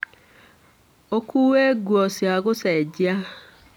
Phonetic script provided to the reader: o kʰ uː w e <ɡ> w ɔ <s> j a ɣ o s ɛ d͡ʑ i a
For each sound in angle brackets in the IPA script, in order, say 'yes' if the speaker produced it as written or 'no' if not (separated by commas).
yes, yes